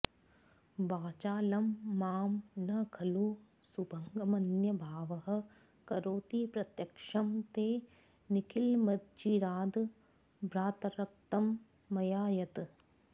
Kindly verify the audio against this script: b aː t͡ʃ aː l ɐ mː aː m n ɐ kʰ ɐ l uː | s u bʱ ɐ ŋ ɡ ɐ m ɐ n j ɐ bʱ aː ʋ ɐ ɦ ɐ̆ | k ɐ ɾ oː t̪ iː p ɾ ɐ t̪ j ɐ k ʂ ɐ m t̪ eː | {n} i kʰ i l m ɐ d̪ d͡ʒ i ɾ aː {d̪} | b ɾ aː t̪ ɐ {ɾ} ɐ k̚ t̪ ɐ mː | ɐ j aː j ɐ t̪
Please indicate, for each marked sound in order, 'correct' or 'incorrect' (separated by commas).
correct, correct, correct